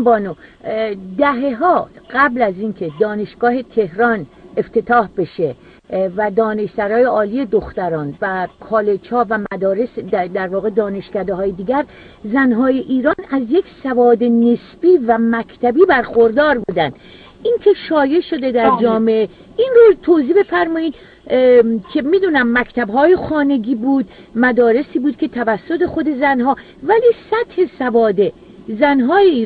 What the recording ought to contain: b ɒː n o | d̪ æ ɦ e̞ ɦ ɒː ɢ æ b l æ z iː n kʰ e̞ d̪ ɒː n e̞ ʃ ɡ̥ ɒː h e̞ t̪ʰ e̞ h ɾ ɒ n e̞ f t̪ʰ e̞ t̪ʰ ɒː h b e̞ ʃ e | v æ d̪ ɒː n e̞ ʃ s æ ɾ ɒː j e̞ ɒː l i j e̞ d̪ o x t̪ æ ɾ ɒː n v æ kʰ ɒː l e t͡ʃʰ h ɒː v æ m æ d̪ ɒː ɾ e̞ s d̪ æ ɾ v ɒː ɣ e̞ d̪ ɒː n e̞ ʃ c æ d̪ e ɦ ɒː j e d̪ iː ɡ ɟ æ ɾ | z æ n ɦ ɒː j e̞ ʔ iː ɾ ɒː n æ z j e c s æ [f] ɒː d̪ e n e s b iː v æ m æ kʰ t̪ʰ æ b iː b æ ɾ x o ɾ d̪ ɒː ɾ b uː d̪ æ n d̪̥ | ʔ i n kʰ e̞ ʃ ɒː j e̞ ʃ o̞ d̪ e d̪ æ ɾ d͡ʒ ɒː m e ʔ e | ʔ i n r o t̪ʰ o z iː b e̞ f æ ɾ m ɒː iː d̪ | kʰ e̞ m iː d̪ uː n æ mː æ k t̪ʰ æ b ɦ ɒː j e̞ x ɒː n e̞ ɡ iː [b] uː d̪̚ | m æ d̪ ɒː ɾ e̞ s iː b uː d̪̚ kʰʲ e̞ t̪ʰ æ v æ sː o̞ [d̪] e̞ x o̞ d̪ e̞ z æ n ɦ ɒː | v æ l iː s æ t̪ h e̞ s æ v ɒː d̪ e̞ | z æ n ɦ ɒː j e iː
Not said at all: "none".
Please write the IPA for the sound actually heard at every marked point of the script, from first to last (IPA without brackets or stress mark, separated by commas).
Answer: v, b, t̪